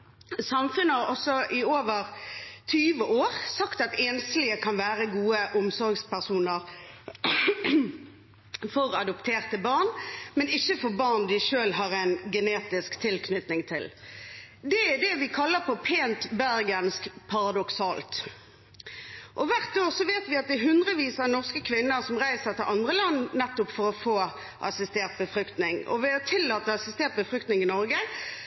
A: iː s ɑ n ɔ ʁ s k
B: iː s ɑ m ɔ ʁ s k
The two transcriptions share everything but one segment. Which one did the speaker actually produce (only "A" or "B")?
A